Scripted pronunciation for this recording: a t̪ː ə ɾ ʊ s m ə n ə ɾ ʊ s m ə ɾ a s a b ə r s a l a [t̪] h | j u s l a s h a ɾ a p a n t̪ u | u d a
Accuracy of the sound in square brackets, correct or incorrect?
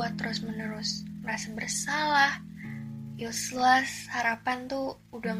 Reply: incorrect